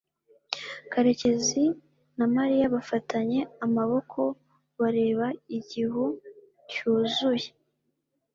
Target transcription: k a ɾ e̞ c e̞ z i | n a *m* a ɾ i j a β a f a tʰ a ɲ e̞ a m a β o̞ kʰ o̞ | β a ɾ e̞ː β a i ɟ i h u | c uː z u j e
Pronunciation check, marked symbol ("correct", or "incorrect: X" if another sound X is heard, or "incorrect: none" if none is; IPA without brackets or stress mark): correct